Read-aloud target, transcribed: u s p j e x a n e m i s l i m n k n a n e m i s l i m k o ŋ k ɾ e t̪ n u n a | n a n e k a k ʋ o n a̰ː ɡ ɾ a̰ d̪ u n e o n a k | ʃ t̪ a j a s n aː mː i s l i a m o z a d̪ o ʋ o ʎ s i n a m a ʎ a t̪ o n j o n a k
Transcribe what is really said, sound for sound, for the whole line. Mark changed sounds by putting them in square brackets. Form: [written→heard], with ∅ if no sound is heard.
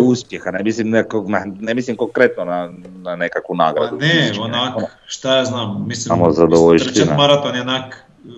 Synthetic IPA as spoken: u s p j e x a n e m i s l i m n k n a n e m i s l i m k o ŋ k ɾ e t̪ n [u→o] n a | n a n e k a k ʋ [o→u] n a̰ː ɡ ɾ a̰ d̪ u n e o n a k | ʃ t̪ a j a [s→z] n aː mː i s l i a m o z a d̪ o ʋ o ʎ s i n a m a [ʎ→ɾ] a t̪ o n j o n a k